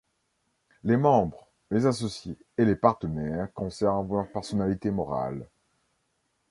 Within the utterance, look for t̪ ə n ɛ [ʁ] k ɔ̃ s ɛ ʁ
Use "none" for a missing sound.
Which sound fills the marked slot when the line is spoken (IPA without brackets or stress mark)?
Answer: ʁ